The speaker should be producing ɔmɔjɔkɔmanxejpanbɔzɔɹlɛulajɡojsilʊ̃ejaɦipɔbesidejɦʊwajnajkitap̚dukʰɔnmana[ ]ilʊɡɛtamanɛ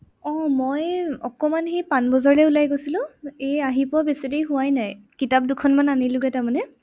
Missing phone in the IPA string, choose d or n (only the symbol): n